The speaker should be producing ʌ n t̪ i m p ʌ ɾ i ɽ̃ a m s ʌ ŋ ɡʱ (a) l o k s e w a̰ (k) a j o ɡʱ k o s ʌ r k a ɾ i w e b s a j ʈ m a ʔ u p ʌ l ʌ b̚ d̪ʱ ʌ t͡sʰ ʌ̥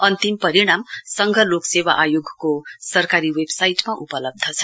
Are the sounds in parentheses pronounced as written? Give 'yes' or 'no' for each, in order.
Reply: no, no

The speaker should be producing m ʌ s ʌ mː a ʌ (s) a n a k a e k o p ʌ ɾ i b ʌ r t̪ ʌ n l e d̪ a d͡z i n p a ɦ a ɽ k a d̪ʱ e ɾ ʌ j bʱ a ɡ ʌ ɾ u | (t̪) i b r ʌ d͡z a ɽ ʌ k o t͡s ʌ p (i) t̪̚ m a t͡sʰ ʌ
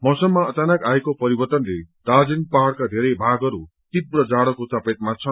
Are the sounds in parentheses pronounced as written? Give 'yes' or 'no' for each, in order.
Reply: no, yes, no

